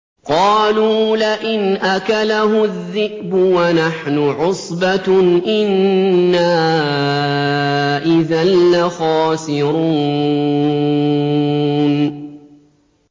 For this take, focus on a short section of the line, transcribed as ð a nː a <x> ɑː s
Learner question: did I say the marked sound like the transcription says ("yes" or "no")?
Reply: yes